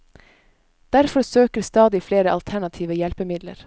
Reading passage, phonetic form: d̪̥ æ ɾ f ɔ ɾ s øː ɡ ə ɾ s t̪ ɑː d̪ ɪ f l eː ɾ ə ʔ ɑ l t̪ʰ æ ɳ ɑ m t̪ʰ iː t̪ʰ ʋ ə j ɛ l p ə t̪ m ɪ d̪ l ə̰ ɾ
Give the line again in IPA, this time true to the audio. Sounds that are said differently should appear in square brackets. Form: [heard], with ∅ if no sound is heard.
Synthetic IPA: d̪̥ æ ɾ f ɔ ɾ s øː [k] ə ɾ s t̪ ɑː d̪ ɪ f l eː ɾ ə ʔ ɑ l t̪ʰ æ ɳ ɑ [∅] t̪ʰ iː [∅] ʋ ə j ɛ l p ə [∅] m ɪ d̪ l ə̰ ɾ